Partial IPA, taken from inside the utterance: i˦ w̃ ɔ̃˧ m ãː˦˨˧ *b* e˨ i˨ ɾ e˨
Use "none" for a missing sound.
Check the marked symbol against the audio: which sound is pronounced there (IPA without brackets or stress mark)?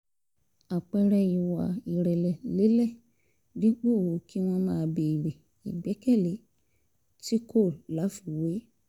b